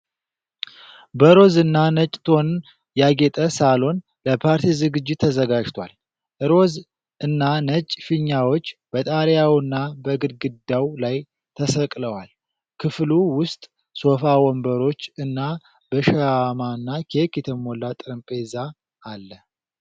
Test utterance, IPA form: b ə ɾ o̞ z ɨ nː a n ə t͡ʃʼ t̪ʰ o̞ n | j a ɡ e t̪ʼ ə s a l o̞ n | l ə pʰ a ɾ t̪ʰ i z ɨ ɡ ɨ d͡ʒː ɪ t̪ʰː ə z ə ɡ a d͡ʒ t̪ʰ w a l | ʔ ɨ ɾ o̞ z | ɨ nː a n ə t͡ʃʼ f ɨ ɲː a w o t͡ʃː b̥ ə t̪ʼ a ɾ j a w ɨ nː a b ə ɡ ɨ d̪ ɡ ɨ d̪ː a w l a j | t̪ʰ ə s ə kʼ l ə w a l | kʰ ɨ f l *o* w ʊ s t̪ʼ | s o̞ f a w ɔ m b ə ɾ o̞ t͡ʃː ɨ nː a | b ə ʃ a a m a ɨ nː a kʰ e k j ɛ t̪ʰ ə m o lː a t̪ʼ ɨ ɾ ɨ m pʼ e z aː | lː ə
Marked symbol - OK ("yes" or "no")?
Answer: no